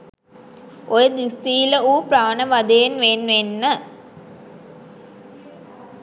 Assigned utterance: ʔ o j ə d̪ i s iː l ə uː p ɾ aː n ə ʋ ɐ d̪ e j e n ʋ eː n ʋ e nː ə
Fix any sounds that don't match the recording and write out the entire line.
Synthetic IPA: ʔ o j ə d̪ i s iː l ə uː p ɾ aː n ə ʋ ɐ d̪ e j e n ʋ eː n ʋ e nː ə